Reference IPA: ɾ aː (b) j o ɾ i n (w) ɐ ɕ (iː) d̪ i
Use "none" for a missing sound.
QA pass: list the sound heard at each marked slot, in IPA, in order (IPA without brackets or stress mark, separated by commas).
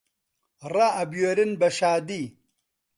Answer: b, b, aː